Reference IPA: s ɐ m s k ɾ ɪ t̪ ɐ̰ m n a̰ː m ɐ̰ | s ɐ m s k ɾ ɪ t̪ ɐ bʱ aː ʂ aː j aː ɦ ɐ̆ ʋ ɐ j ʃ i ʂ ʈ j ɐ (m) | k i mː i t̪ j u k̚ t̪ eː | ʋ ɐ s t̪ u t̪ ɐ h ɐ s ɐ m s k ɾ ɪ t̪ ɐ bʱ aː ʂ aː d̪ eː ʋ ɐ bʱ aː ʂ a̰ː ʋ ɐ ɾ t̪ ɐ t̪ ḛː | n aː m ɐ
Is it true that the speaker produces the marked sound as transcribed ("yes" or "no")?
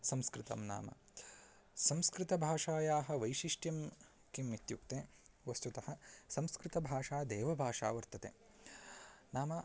yes